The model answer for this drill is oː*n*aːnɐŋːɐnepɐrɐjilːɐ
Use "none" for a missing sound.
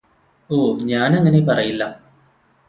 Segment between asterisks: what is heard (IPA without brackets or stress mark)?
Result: ɲ